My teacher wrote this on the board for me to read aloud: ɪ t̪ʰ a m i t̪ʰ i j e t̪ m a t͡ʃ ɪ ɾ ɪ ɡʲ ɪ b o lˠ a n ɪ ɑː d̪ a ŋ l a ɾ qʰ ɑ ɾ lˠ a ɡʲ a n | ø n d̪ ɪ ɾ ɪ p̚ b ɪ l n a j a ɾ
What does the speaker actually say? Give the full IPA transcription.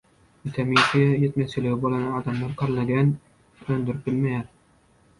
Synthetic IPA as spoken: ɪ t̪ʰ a m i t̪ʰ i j e t̪ m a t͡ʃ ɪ l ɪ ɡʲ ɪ b o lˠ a n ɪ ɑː d̪ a m l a ɾ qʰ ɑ ɾ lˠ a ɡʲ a n | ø n d̪ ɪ ɾ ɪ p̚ b ɪ l m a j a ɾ

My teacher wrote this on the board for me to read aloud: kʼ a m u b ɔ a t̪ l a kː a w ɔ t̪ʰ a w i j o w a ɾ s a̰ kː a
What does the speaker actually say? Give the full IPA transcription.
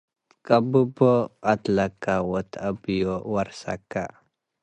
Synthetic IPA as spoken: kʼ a b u b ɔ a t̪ l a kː a w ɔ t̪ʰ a b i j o w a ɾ s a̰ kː a

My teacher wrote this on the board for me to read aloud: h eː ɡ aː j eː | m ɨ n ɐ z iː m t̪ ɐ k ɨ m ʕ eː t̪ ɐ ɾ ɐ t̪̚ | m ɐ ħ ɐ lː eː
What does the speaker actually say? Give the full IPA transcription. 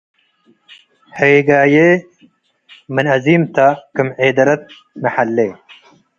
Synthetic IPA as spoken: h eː ɡ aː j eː | m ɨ n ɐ z iː m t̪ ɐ k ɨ m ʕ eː d̪ ɐ ɾ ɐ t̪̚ | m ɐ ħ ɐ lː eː

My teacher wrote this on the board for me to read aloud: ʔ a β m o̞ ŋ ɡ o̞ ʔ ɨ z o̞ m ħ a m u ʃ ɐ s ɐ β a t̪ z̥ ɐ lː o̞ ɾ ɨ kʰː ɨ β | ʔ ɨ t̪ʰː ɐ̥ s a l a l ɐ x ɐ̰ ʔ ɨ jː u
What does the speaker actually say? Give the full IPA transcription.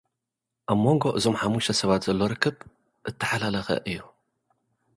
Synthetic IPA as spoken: ʔ a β m o̞ ŋ ɡ o̞ ʔ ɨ z o̞ m ħ a m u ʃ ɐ s ɐ β a t̪ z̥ ɐ lː o̞ ɾ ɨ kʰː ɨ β | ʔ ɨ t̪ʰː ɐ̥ ħ a l a l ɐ x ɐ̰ ʔ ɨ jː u

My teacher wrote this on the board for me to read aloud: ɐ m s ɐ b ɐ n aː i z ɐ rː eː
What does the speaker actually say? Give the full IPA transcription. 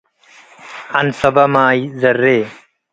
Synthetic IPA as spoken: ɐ n s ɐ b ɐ m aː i z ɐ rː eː

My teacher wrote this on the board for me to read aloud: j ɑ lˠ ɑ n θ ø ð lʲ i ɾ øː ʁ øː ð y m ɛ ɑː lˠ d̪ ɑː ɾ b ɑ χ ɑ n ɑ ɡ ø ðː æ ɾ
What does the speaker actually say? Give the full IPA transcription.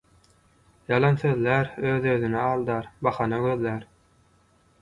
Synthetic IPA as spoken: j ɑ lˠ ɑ n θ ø ð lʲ æ ɾ øː ð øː ð y n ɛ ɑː lˠ d̪ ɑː ɾ b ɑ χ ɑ n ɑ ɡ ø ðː æ ɾ

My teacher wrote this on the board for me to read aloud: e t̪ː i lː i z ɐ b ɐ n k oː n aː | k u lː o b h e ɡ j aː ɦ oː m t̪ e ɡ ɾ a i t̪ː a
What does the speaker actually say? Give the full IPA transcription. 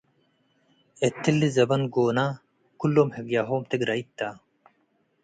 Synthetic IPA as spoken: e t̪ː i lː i z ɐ b ɐ n ɡ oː n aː | k u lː o m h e ɡ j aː ɦ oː m t̪ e ɡ ɾ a i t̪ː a

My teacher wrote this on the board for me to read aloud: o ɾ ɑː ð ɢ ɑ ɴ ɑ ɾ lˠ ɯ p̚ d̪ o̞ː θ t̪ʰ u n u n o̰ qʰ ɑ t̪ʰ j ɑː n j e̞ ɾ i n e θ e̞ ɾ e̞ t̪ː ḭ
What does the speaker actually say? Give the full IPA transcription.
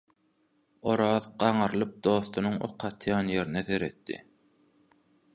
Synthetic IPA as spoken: o ɾ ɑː ð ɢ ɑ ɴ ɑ ɾ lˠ ɯ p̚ d̪ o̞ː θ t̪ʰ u n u ŋ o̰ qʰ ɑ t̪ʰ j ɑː n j e̞ ɾ i n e θ e̞ ɾ e̞ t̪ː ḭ

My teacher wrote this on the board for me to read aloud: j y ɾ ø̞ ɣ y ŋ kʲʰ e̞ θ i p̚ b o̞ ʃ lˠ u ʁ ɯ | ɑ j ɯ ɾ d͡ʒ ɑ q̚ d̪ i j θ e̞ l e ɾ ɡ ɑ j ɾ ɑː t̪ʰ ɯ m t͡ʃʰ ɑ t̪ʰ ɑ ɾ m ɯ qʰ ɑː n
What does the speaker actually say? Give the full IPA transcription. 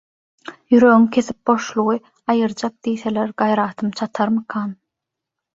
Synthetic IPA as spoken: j y ɾ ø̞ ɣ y ŋ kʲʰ e̞ θ i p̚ b o̞ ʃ lˠ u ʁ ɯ | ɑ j ɯ ɾ d͡ʒ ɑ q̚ d̪ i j θ e̞ l e ɾ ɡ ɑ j ɾ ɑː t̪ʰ ɯ m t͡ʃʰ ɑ t̪ʰ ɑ ɾ m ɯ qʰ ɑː n

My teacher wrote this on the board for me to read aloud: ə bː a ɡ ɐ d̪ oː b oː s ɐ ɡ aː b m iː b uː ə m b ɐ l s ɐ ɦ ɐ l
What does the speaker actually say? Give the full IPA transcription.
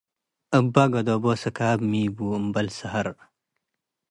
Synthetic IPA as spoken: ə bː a ɡ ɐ d̪ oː b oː s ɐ k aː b m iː b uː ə m b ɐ l s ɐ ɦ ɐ ɾ

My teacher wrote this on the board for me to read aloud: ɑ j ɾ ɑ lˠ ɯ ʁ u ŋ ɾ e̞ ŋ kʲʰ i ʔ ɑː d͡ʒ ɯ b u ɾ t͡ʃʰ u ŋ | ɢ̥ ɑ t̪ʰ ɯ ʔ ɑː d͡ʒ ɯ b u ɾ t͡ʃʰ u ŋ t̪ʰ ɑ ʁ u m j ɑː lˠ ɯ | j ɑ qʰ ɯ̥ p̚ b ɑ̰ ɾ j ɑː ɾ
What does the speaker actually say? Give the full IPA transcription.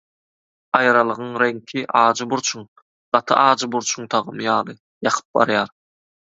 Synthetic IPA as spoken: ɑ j ɾ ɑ lˠ ɯ ʁ ɯ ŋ ɾ e̞ ŋ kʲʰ i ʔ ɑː d͡ʒ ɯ b u ɾ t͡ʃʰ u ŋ | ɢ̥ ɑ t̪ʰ ɯ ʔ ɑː d͡ʒ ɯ b u ɾ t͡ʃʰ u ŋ t̪ʰ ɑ ʁ ɯ m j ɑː lˠ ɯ | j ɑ qʰ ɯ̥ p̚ b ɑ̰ ɾ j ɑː ɾ

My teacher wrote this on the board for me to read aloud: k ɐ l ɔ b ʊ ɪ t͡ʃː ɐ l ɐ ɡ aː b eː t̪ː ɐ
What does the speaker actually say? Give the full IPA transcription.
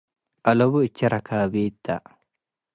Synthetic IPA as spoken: ʔ ɐ l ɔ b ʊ ɪ t͡ʃː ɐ ɾ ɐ k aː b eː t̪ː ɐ

